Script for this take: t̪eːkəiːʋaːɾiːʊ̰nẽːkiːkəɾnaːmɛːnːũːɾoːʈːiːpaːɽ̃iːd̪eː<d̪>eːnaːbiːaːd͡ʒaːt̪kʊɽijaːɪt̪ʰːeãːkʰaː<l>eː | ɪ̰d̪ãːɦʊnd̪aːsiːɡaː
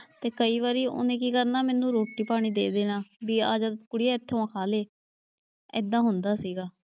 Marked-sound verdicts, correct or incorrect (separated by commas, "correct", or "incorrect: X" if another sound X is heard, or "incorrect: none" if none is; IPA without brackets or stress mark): correct, correct